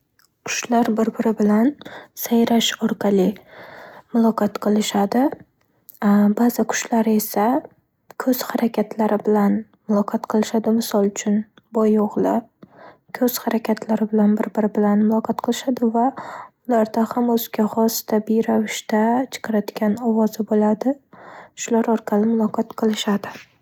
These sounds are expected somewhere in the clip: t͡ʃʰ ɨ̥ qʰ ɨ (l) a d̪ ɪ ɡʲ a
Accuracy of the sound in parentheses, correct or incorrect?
incorrect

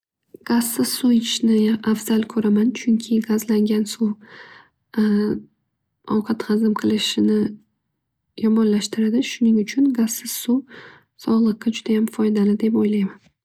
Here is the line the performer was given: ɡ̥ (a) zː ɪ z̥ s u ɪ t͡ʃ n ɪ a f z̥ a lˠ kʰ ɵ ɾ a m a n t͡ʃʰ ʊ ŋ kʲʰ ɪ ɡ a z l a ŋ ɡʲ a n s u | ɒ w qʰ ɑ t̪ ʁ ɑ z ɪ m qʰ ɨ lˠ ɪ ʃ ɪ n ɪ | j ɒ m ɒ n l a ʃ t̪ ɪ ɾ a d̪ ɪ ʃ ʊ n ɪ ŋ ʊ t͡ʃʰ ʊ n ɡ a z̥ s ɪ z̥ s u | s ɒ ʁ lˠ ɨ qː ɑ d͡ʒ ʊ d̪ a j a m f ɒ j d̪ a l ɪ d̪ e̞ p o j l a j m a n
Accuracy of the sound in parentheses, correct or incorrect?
correct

